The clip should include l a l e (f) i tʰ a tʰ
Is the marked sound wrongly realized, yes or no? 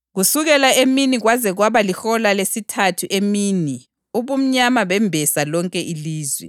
yes